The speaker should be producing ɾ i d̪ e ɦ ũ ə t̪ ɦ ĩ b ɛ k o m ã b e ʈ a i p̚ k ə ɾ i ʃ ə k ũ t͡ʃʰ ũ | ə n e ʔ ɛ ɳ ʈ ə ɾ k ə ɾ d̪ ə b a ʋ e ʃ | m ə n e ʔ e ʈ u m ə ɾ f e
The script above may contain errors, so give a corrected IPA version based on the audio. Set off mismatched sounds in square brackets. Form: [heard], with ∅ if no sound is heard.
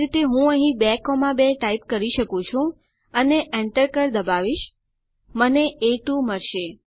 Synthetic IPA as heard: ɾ i [t̪] e ɦ ũ ə [∅] ɦ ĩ b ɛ k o m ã b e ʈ a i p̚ k ə ɾ i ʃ ə k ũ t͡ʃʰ ũ | ə n e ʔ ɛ ɳ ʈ ə ɾ k ə ɾ d̪ ə b a ʋ [i] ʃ | m ə n e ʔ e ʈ u m ə ɾ [ʃ] e

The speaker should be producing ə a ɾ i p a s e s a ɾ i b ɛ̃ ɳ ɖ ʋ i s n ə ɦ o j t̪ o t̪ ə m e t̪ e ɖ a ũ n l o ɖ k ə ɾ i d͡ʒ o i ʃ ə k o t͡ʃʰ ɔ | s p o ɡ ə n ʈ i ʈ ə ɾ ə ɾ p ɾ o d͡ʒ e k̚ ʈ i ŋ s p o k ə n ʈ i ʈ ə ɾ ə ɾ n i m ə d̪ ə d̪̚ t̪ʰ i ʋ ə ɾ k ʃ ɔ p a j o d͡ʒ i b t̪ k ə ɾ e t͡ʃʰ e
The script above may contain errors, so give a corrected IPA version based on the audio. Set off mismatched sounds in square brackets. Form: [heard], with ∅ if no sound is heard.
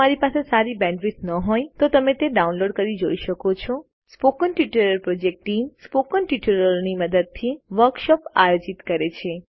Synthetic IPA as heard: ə a ɾ i p a s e s a ɾ i b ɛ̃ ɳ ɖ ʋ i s n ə ɦ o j t̪ o t̪ ə m e t̪ e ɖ a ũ n l o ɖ k ə ɾ i d͡ʒ o i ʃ ə k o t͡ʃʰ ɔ | s p o [k] ə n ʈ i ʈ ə ɾ ə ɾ p ɾ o d͡ʒ e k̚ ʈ i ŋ s p o k ə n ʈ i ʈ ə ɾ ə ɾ n i m ə d̪ ə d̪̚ t̪ʰ i ʋ ə ɾ k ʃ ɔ p a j o d͡ʒ i [∅] t̪ k ə ɾ e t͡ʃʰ e

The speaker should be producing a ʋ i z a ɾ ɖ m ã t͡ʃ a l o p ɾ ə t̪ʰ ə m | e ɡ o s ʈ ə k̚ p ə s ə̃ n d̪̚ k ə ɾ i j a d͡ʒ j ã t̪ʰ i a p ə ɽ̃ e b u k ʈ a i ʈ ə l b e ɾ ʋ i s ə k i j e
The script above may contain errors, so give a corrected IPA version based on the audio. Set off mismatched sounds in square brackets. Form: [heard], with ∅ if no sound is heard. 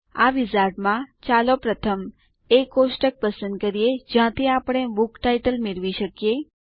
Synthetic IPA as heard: a ʋ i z a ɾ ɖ m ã t͡ʃ a l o p ɾ ə t̪ʰ ə m | e [k] o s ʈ ə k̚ p ə s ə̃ n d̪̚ k ə ɾ i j [e] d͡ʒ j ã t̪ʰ i a p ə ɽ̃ e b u k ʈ a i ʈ ə l [m] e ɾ ʋ i [ʃ] ə k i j e

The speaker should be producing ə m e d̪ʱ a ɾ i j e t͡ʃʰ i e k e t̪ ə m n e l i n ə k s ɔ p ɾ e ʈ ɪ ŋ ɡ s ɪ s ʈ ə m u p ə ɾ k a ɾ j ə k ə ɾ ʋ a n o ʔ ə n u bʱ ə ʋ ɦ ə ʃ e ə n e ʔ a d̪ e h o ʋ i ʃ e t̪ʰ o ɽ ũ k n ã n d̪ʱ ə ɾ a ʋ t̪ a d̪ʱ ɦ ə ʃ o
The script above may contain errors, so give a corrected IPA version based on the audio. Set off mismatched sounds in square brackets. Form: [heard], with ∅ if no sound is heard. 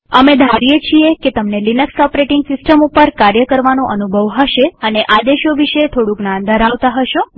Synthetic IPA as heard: ə m e d̪ʱ a ɾ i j e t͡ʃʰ i e k e t̪ ə m n e l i n ə k s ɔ p ɾ e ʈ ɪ ŋ ɡ s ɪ s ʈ ə m u p ə ɾ k a ɾ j ə k ə ɾ ʋ a n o ʔ ə n u bʱ ə ʋ ɦ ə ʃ e ə n e ʔ a d̪ e [ʃ] o ʋ i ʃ e t̪ʰ o ɽ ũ k n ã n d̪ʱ ə ɾ a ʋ t̪ a [∅] ɦ ə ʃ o

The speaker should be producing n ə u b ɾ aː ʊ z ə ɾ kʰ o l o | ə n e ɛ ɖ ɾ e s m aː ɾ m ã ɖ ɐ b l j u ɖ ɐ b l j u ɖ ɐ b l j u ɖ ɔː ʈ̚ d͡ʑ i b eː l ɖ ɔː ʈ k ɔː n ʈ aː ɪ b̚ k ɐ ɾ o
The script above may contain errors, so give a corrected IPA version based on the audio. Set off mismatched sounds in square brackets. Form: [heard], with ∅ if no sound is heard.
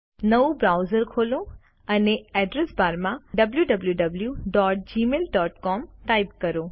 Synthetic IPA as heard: n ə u b ɾ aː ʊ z ə ɾ kʰ o l o | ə n e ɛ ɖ ɾ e s [b] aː ɾ m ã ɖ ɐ b l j u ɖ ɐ b l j u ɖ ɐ b l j u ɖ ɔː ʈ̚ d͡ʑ i [m] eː l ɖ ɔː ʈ k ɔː [m] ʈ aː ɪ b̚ k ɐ ɾ o

